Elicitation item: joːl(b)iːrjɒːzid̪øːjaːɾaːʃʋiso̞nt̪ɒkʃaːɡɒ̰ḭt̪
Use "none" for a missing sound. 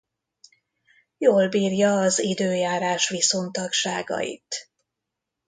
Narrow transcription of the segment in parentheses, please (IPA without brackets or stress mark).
b